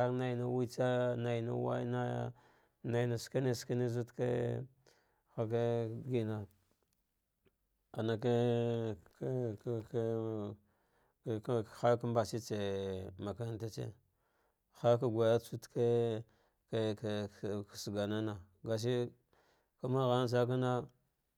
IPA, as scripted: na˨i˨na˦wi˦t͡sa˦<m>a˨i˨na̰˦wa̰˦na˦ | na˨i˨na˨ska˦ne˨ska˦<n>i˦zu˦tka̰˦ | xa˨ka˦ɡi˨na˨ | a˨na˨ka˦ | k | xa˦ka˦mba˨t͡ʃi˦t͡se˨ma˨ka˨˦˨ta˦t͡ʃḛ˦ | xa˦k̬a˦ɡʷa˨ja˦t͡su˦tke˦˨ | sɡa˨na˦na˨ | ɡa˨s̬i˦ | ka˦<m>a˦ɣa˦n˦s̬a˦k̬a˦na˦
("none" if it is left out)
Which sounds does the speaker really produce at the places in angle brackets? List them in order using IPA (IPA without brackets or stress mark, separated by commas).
n, n, m